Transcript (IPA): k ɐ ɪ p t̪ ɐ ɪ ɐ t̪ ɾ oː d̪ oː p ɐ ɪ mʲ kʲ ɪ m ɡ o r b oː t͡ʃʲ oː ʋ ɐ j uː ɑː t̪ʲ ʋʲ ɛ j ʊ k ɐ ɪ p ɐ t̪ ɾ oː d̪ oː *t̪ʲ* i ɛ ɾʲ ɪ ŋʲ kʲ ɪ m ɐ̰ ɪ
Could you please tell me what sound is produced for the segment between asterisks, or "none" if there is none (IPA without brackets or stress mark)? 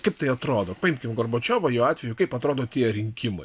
t̪ʲ